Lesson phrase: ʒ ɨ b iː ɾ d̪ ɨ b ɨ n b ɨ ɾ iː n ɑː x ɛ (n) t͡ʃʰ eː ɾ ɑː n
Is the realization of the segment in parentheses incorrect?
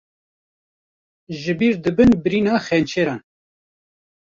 no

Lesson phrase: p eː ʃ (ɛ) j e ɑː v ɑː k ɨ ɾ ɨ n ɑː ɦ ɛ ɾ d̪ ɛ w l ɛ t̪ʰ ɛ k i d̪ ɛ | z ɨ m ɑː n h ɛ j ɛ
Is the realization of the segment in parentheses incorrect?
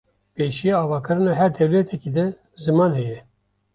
yes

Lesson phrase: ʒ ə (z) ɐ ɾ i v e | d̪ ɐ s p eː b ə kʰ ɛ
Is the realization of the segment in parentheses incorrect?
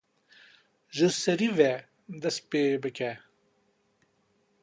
yes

